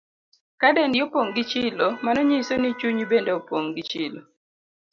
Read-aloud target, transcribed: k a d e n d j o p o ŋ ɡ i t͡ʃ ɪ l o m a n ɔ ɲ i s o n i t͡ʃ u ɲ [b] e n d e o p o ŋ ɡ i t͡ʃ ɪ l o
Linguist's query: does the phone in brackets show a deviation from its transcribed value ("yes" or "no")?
no